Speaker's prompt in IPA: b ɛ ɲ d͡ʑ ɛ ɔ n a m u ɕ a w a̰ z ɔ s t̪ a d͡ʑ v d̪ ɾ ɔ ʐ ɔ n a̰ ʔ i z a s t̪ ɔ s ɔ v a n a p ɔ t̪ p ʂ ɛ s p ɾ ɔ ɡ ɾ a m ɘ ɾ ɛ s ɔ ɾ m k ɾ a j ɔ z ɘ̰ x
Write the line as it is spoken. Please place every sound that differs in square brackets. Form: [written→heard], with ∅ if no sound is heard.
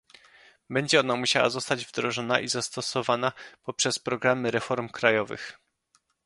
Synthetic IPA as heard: b ɛ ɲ d͡ʑ ɛ ɔ n a m u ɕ a w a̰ z ɔ s t̪ a d͡ʑ v d̪ ɾ ɔ ʐ ɔ n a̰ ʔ i z a s t̪ ɔ s ɔ v a n a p ɔ [t̪→∅] p ʂ ɛ s p ɾ ɔ ɡ ɾ a m ɘ ɾ ɛ [s→f] ɔ ɾ m k ɾ a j ɔ [z→v] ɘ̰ x